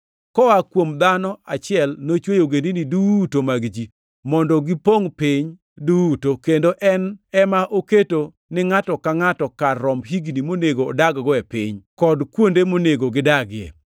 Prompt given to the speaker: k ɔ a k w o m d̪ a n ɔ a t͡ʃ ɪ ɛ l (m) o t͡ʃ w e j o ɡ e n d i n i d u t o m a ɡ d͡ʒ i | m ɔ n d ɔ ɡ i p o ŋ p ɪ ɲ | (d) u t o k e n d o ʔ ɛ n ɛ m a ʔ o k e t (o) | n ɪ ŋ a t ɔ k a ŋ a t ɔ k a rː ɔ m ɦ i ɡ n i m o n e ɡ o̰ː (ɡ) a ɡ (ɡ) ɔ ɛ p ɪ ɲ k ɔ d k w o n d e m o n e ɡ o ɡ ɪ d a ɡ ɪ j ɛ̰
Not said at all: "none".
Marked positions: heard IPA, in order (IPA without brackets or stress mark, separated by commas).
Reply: n, d, o, d, ɡ